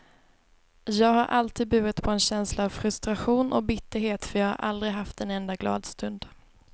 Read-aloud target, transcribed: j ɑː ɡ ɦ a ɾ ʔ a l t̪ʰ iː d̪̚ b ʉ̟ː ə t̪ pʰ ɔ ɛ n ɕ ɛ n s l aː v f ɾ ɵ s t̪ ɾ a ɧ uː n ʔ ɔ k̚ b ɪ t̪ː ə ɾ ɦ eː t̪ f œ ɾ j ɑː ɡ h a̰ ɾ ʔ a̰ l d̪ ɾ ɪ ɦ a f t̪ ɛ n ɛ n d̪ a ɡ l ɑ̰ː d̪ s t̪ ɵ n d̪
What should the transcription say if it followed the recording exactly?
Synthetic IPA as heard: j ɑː ɡ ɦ a ɾ ʔ a l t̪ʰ iː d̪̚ b ʉ̟ː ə t̪ pʰ ɔ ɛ n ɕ ɛ n s l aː v f ɾ ɵ s t̪ ɾ a ɧ uː n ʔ ɔ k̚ b ɪ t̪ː ə ɾ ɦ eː t̪ f œ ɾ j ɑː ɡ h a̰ ɾ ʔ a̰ l d̪ ɾ ɪ ɦ a f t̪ ɛ n ɛ n d̪ a ɡ l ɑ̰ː d̪ s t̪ ɵ n d̪

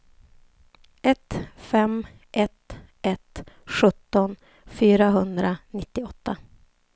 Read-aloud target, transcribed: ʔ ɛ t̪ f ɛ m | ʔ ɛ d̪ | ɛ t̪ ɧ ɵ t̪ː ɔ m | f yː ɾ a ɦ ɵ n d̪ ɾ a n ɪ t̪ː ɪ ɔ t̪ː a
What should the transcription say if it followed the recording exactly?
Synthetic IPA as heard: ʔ ɛ t̪ f ɛ m | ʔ ɛ t̪ | ɛ t̪ ɧ ɵ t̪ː ɔ n | f yː ɾ a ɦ ɵ n d̪ ɾ a n ɪ t̪ː ɪ ɔ t̪ː a

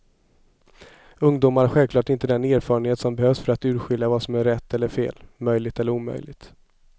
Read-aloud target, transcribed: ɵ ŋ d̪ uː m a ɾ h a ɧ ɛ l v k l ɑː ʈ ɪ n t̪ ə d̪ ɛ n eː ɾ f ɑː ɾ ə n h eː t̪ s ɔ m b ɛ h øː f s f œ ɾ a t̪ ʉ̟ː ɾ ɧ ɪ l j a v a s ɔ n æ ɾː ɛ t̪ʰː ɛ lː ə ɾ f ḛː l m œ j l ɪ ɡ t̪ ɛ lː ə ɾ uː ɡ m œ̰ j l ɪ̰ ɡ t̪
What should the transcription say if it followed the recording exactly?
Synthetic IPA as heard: ɵ ŋ d̪ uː m a ɾ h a ɧ ɛ l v k l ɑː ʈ ɪ n t̪ ə d̪ ɛ n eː ɾ f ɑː ɾ ə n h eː t̪ s ɔ m b ɛ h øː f s f œ ɾ a t̪ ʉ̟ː ɾ ɧ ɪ l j a v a s ɔ m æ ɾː ɛ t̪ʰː ɛ lː ə ɾ f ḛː l m œ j l ɪ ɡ t̪ ɛ lː ə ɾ uː m œ̰ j l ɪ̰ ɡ t̪

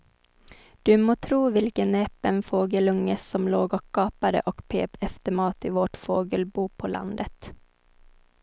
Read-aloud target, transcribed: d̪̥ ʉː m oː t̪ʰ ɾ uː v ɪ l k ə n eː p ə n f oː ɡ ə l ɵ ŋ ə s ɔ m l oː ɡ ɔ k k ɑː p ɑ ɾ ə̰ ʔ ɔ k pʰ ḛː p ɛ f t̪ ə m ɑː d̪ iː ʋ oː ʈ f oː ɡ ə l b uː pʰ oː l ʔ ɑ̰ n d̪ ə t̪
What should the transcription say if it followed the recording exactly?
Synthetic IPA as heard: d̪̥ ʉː m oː t̪ʰ ɾ uː ʋ ɪ l k ə n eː p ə n f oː ɡ ə l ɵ ŋ ə s ɔ m l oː ɡ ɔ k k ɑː p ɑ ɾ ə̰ ʔ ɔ k pʰ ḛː p ɛ f t̪ ə m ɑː t̪ iː ʋ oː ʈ f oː ɡ ə l b uː pʰ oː l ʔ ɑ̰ n d̪ ə t̪

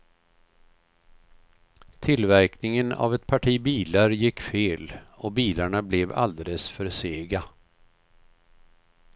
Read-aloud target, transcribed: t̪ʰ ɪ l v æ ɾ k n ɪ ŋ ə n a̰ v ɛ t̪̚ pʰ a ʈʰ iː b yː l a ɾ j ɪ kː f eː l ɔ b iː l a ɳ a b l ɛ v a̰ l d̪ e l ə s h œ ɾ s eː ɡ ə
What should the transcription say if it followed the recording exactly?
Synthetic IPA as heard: t̪ʰ ɪ l v æ ɾ k n ɪ ŋ ə n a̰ v ɛ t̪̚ pʰ a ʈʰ iː b iː l a ɾ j ɪ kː f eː l ɔ b iː l a ɳ a b l ɛ v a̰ l d̪ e l ə s f œ ɾ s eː ɡ a

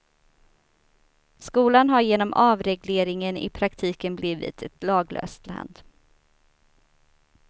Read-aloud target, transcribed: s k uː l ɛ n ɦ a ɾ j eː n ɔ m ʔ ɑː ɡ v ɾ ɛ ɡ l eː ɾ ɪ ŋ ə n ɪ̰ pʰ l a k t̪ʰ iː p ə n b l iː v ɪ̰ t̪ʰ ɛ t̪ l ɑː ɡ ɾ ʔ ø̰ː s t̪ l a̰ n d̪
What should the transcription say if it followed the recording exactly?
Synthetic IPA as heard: s k uː l a n ɦ a ɾ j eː n ɔ m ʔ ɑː v ɾ ɛ ɡ l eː ɾ ɪ ŋ ə n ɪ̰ pʰ ɾ a k t̪ʰ iː k ə n b l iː v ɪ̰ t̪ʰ ɛ t̪ l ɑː ɡ l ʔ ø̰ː s t̪ l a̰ n d̪

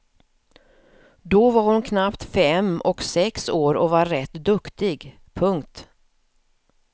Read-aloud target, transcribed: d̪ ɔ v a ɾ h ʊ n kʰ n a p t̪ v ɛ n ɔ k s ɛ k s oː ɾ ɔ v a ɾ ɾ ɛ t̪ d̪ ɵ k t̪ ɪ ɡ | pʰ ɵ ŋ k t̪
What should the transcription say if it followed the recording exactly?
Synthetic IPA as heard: d̪ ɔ v a ɾ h ʊ n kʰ n a p t̪ f ɛ m ɔ k s ɛ k s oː ɾ ɔ v a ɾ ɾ ɛ t̪ d̪ ɵ k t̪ ɪ ɡ | pʰ ɵ ŋ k t̪

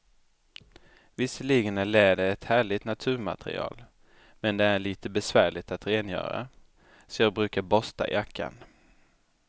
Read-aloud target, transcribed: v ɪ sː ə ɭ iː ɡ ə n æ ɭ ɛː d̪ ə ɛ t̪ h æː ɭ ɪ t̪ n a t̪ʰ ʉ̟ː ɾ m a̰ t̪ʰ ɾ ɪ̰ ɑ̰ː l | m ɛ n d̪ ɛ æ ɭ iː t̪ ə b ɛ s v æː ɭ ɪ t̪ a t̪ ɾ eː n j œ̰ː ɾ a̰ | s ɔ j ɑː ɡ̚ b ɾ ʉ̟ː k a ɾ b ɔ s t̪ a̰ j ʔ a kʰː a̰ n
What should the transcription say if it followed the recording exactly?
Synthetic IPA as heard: v ɪ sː ə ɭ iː ɡ ə n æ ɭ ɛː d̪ ə ɛ t̪ h æː ɭ ɪ t̪ n a t̪ʰ ʉ̟ː ɾ m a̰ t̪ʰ ɾ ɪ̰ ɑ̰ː l | m ɛ n d̪ ɛ æ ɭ iː t̪ ə b ɛ s v æː ɭ ɪ t̪ a t̪ ɾ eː n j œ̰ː ɾ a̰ | s ɔ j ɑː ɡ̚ b ɾ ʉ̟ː k a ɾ b ɔ s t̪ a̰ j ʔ a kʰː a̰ n

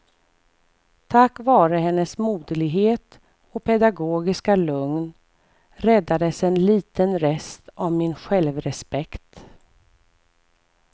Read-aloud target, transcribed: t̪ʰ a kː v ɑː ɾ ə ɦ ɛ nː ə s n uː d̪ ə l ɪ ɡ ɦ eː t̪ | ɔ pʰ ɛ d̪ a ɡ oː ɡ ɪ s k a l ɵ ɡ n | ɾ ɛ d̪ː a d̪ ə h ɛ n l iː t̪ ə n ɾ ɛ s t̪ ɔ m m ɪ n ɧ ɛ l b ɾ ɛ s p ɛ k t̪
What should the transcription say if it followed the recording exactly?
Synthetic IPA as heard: t̪ʰ a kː v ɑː ɾ ə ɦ ɛ nː ə s m uː d̪ ə l ɪ ɡ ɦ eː t̪ | ɔ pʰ ɛ d̪ a ɡ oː ɡ ɪ s k a l ɵ ŋ n | ɾ ɛ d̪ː a d̪ ə s ɛ n l iː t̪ ə n ɾ ɛ s t̪ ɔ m m ɪ n ɧ ɛ l v ɾ ɛ s p ɛ k t̪

